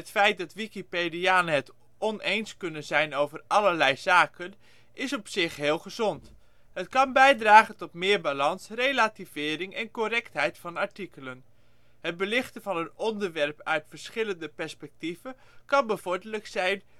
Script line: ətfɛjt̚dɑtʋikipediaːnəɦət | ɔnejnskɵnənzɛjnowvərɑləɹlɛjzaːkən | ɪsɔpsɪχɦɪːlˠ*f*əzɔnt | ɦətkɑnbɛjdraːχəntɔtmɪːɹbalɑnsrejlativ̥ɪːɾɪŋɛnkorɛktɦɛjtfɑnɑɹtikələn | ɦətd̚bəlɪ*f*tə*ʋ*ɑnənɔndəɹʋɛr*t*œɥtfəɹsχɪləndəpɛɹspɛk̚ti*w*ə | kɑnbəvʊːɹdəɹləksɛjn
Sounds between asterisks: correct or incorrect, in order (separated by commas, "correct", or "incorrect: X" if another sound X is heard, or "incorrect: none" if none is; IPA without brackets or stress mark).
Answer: incorrect: χ, incorrect: χ, incorrect: v, incorrect: p, incorrect: v